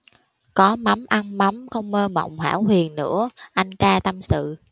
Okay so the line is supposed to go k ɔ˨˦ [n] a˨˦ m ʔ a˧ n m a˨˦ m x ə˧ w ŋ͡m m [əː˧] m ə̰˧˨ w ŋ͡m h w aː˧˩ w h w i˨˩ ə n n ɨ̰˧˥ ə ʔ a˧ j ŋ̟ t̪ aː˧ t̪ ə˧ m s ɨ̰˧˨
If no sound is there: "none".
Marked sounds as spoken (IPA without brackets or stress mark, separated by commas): m, əː˧